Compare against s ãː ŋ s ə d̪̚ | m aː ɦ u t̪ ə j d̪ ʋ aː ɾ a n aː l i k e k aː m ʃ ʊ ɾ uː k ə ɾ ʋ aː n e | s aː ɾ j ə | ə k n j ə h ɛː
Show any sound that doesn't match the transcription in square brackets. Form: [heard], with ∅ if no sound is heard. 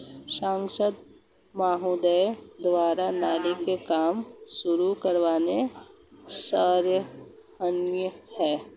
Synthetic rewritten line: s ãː ŋ s ə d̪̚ | m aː ɦ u [d̪] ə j d̪ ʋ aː ɾ a n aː l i k e k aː m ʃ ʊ ɾ [u] k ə ɾ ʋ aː n e | s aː ɾ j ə | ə [∅] n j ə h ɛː

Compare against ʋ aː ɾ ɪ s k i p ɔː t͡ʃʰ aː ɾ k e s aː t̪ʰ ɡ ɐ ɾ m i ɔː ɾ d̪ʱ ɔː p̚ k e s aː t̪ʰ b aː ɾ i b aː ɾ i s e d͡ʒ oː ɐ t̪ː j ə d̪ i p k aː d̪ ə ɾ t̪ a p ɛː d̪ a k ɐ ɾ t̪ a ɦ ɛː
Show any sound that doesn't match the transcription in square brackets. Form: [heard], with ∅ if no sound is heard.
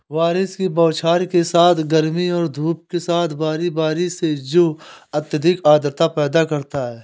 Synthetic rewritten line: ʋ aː ɾ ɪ s k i [b] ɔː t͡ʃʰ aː ɾ k e s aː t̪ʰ ɡ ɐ ɾ m i ɔː ɾ d̪ʱ [uː] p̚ k e s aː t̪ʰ b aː ɾ i b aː ɾ i s e d͡ʒ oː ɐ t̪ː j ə d̪ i [∅] k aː d̪ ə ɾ t̪ a p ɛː d̪ a k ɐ ɾ t̪ a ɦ ɛː

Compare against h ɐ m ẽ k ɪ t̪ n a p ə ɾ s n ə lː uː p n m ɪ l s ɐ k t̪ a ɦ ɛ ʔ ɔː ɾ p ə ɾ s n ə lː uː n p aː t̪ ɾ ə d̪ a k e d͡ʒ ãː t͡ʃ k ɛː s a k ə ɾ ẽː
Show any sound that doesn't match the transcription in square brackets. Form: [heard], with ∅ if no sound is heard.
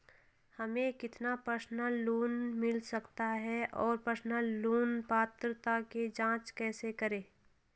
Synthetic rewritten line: h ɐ m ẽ k ɪ t̪ n a p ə ɾ s n ə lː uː [∅] n m ɪ l s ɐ k t̪ a ɦ ɛ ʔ ɔː ɾ p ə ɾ s n ə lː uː n p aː t̪ ɾ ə [t̪] a k e d͡ʒ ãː t͡ʃ k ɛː s [e] k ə ɾ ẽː

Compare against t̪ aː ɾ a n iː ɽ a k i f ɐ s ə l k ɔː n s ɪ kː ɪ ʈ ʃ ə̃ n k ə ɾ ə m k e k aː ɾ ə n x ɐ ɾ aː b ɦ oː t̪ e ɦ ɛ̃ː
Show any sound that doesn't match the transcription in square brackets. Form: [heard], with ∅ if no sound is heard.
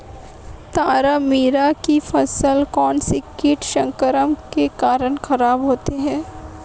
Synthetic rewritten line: t̪ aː ɾ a [m] iː [ɾ] a k i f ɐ s ə l k ɔː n s ɪ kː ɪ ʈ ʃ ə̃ [ŋ] k ə ɾ ə m k e k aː ɾ ə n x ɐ ɾ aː b ɦ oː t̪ e ɦ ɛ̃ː

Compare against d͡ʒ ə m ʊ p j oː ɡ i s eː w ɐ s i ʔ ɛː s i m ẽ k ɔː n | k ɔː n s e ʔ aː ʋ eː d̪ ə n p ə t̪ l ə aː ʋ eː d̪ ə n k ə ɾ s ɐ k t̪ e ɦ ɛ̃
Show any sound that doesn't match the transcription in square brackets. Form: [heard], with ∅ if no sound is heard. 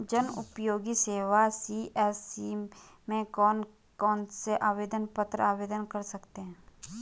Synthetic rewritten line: d͡ʒ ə [n] ʊ p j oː ɡ i s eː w [a] s i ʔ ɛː s i m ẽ k ɔː n | k ɔː n s e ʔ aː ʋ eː d̪ ə n p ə t̪ [ɾ] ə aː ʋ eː d̪ ə n k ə ɾ s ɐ k t̪ e ɦ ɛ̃

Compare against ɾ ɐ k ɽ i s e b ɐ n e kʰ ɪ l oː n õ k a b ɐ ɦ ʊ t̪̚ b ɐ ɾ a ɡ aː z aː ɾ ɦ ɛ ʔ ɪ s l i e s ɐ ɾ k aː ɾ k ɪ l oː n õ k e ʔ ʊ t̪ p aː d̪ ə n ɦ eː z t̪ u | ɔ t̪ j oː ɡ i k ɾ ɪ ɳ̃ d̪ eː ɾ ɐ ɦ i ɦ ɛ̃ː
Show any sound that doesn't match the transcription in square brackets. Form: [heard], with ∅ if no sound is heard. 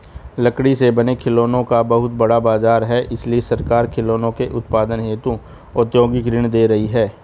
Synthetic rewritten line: [l] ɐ k ɽ i s e b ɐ n e kʰ ɪ l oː n õ k a b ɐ ɦ ʊ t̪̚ b ɐ [ɽ] a [b] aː z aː ɾ ɦ ɛ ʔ ɪ s l i e s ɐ ɾ k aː ɾ [kʰ] ɪ l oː n õ k e ʔ ʊ t̪ p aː d̪ ə n ɦ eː [∅] t̪ u | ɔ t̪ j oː ɡ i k ɾ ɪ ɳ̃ d̪ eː ɾ ɐ ɦ i ɦ [ɛː]

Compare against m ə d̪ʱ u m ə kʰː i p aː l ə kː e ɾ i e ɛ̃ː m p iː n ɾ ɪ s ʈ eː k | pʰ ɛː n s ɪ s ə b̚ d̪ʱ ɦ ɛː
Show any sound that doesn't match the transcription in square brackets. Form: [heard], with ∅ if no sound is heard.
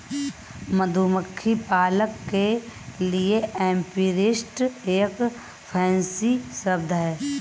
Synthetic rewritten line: m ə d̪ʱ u m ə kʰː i p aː l ə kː e [l] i e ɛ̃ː m p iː [∅] ɾ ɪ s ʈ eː k | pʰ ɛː n s [i] s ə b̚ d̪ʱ ɦ ɛː

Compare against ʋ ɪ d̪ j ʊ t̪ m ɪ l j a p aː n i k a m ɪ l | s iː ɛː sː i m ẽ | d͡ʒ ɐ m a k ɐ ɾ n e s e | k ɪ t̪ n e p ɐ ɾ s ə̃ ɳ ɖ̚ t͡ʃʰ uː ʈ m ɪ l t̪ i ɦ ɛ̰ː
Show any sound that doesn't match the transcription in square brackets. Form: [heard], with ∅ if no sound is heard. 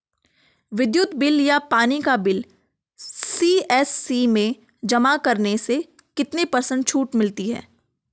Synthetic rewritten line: ʋ ɪ d̪ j ʊ t̪ [b] ɪ l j a p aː n i k a [b] ɪ l | s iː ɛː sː i m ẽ | d͡ʒ ɐ m a k ɐ ɾ n e s e | k ɪ t̪ n e p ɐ ɾ s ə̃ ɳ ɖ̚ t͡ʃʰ uː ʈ m ɪ l t̪ i ɦ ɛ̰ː

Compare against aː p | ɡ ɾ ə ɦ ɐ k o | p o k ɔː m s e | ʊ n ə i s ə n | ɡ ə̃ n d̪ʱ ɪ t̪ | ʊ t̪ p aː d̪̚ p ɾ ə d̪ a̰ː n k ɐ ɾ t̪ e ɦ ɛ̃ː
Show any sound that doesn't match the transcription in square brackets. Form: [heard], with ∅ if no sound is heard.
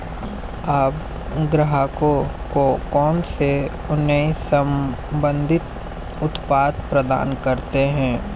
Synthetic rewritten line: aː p | ɡ ɾ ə ɦ [a] k o | [k] o k ɔː [n] s e | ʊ n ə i s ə [m] | [b] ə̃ n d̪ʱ ɪ t̪ | ʊ t̪ p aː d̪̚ p ɾ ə d̪ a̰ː n k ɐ ɾ t̪ e ɦ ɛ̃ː

